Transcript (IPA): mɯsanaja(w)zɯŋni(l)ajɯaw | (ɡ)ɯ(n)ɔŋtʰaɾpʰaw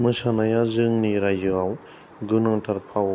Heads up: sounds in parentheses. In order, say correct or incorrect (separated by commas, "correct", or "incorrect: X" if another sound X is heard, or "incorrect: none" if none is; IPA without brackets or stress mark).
incorrect: none, incorrect: ɾ, correct, correct